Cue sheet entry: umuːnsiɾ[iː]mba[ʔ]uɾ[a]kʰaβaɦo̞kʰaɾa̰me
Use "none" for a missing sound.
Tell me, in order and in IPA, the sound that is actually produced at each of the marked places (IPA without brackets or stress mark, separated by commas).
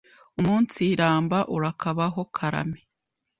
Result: aː, ʔ, a